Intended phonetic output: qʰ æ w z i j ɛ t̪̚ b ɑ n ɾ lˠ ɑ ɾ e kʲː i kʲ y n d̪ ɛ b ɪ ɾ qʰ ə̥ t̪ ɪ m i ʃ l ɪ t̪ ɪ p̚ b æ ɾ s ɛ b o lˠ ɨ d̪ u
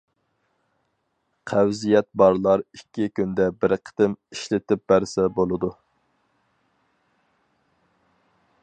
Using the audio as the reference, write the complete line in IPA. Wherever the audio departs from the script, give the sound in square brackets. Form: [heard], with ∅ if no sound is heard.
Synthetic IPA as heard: qʰ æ w z i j ɛ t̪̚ b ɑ [∅] ɾ lˠ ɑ ɾ [i] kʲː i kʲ y n d̪ ɛ b ɪ ɾ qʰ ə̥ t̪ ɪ m i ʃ l ɪ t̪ ɪ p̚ b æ ɾ s ɛ b o lˠ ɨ d̪ u